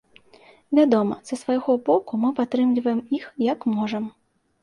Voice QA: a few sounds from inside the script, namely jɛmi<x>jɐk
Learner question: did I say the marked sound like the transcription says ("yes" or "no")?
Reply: yes